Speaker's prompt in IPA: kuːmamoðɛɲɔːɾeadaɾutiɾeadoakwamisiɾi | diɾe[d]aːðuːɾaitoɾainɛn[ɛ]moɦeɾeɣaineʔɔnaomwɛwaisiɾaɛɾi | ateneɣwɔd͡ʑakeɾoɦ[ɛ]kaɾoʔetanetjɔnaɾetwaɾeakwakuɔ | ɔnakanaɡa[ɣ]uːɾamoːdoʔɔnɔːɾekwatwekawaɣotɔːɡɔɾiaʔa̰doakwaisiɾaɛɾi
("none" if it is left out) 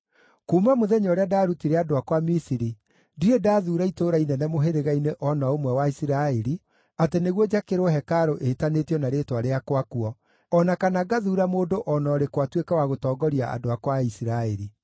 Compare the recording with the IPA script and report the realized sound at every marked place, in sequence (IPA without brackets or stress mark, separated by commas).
d, ɛ, ɛ, ð